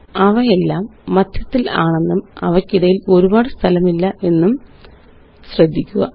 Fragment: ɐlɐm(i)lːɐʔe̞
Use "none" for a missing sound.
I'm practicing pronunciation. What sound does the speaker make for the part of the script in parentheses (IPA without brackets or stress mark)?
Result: i